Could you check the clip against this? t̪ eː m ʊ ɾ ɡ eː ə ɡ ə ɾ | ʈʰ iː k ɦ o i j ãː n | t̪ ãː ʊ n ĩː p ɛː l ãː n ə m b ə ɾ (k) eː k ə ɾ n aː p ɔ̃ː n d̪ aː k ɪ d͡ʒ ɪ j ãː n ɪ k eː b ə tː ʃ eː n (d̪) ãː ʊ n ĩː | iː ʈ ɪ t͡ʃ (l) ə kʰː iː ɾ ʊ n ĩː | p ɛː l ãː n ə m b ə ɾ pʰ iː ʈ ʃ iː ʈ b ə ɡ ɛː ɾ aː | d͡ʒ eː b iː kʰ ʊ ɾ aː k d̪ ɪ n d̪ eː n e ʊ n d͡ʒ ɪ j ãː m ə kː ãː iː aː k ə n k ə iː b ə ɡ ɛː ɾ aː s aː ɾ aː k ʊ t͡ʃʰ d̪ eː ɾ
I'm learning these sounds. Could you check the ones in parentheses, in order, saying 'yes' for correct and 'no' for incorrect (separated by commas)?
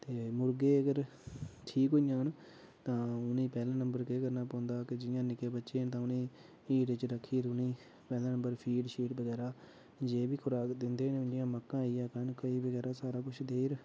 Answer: yes, no, no